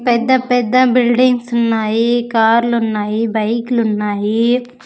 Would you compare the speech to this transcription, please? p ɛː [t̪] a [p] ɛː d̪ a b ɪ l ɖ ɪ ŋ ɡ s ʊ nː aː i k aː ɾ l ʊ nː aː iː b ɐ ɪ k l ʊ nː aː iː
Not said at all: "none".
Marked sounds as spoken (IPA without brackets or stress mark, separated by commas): d̪, p